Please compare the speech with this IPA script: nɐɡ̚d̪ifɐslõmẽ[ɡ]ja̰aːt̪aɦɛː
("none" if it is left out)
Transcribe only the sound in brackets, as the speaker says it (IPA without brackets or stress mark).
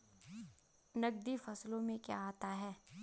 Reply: k